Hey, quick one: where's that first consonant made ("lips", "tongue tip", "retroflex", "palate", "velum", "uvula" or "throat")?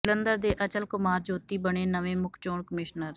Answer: tongue tip